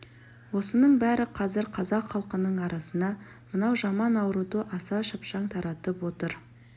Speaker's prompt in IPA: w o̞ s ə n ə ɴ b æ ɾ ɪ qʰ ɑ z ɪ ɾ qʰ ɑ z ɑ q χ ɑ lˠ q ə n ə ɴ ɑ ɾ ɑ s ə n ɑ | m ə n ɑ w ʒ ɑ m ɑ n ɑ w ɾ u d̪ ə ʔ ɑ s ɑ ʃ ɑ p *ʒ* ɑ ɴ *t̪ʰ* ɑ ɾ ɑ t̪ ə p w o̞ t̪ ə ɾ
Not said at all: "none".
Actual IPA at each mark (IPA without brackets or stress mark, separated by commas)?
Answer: ʃ, t̪ʰ